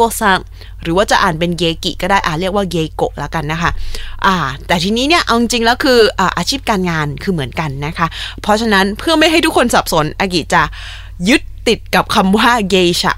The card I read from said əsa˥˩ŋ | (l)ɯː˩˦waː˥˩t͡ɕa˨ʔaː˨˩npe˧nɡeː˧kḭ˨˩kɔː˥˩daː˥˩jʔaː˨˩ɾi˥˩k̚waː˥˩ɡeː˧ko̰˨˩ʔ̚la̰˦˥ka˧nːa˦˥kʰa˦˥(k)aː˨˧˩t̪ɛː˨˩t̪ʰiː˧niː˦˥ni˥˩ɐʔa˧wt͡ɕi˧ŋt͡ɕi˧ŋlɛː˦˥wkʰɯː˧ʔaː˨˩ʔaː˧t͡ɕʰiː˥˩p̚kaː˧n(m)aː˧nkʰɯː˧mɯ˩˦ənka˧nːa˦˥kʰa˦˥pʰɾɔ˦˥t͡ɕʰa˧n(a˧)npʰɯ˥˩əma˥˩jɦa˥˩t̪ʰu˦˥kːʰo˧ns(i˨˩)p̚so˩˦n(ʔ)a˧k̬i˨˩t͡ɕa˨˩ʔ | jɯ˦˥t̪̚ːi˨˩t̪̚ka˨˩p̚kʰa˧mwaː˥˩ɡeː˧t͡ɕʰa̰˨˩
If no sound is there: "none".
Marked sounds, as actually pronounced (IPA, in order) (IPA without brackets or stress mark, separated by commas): ɾ, ʔ, ŋ, a˦˥, a˨˩, ʔ